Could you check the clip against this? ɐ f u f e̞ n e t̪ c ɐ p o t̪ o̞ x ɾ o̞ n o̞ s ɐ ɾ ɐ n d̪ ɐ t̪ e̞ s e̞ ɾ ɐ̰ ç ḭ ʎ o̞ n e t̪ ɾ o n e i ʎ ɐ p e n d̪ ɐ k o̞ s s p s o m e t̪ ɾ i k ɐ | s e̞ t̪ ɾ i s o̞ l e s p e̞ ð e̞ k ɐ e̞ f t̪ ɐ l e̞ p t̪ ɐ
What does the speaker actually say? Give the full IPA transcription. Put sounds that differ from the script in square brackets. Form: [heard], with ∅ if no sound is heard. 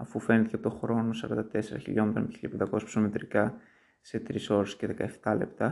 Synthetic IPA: ɐ f u f e̞ n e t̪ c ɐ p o t̪ o̞ x ɾ o̞ n o̞ s ɐ ɾ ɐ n d̪ ɐ t̪ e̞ s e̞ ɾ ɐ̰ ç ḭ ʎ o̞ [m] e t̪ ɾ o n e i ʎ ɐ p e n d̪ ɐ k o̞ s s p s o m e t̪ ɾ i k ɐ | s e̞ t̪ ɾ i s o̞ [ɾ] e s [c] e̞ ð e̞ k ɐ e̞ f t̪ ɐ l e̞ p t̪ ɐ